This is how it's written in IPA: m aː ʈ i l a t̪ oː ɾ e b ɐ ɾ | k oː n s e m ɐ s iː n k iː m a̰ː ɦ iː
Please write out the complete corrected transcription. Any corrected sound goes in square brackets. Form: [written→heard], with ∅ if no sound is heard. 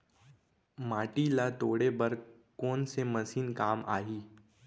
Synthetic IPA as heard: m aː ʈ i l a t̪ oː [ɾ→ɽ] e b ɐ ɾ | k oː n s e m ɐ s iː n k [iː→aː] m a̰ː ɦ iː